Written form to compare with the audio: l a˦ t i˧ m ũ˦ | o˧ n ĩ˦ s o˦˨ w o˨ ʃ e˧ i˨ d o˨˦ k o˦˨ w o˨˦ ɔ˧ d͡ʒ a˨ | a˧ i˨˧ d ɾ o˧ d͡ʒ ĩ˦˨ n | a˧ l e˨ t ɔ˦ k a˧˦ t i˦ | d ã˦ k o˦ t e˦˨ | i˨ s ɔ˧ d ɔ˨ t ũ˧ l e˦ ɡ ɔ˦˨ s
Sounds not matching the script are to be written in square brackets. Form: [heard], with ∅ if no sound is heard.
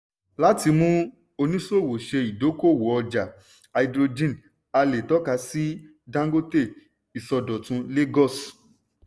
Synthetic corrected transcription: l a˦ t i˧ m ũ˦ | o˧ n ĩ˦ s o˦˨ w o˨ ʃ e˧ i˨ d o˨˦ k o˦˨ w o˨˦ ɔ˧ d͡ʒ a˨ | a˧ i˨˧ d ɾ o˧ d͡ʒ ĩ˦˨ n | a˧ l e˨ t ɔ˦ k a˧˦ [s] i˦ | d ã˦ [ɡ] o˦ t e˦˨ | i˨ s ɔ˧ d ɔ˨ t ũ˧ l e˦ ɡ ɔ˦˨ s